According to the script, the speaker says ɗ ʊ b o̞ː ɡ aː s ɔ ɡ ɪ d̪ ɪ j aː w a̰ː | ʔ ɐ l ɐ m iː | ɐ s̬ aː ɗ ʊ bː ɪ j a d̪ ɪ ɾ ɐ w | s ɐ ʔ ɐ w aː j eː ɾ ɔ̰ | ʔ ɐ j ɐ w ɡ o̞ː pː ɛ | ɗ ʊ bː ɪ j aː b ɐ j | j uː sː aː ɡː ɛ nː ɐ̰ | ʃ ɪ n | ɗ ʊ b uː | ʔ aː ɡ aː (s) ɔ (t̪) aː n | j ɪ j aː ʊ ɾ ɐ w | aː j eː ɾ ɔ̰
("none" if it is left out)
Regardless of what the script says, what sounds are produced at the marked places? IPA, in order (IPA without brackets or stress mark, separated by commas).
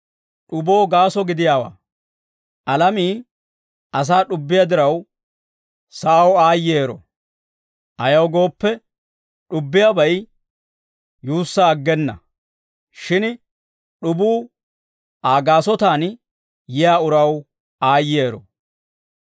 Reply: s, t̪